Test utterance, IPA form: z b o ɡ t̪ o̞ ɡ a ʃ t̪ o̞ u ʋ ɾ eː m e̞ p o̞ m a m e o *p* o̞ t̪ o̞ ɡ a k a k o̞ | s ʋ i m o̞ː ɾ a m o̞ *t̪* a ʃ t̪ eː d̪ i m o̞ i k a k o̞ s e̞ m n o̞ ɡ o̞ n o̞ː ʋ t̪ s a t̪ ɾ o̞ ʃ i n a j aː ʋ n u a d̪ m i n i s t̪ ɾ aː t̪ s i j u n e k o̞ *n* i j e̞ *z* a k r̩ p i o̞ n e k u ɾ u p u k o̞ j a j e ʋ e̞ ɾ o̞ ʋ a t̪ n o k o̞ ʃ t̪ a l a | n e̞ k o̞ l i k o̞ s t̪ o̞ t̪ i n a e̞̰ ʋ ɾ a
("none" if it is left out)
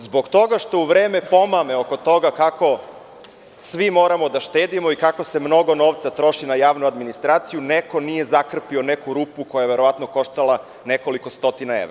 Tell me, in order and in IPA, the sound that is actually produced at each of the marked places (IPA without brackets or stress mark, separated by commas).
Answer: k, d̪, n, z